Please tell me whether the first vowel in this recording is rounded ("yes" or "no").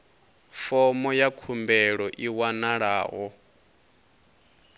yes